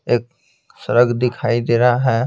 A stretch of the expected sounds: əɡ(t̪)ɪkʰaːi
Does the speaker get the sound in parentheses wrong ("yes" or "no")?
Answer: yes